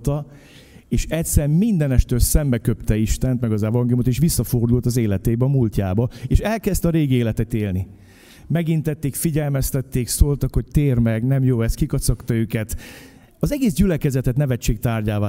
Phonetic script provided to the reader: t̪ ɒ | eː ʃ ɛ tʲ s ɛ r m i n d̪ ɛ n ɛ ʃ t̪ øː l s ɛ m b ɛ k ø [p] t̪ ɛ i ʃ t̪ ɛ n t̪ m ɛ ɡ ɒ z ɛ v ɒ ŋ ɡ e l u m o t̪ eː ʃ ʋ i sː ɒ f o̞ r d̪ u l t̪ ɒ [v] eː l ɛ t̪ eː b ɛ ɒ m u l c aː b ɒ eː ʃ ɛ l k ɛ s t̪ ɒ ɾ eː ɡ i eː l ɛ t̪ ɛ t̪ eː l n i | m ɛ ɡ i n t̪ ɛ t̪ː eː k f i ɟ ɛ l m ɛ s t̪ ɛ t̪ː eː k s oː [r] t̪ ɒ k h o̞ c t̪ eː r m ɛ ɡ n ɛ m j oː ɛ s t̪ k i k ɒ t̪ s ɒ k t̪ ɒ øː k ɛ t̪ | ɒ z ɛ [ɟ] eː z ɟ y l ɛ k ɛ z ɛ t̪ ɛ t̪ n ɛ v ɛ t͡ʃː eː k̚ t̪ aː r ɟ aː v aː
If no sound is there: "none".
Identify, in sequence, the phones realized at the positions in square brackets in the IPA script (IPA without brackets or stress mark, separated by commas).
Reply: p, z, l, ɡ